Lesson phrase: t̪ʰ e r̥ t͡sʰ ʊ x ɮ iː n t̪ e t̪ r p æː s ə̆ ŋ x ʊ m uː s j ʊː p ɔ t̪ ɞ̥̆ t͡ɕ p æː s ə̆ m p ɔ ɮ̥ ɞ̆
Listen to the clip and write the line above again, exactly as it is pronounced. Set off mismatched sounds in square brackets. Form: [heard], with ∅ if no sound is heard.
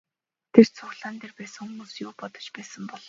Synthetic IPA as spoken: t̪ʰ e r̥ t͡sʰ ʊ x ɮ [aː] n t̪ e [∅] r p æː s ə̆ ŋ x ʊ m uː s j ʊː p ɔ t̪ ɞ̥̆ t͡ɕ p æː s ə̆ m p ɔ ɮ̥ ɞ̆